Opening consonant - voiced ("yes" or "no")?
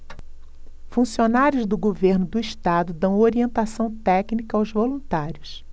no